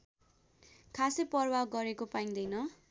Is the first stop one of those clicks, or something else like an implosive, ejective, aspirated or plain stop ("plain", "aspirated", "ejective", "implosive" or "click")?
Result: aspirated